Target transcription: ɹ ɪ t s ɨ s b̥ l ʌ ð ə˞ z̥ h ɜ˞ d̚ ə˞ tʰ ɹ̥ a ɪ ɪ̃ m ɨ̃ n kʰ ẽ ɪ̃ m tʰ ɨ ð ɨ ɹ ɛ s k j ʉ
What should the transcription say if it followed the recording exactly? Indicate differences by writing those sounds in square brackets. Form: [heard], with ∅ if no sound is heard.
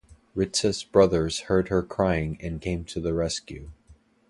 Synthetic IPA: ɹ ɪ t s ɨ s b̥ [ɹ] ʌ ð ə˞ z̥ h ɜ˞ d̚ ə˞ [kʰ] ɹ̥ a ɪ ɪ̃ [ŋ] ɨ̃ n kʰ ẽ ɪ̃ m tʰ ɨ ð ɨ ɹ ɛ s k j ʉ